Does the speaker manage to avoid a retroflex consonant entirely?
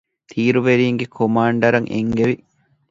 no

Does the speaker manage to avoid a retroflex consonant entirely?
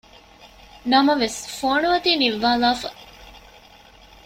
yes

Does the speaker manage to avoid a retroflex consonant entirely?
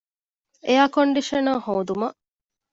no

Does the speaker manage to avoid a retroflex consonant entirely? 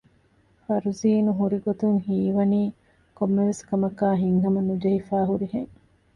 yes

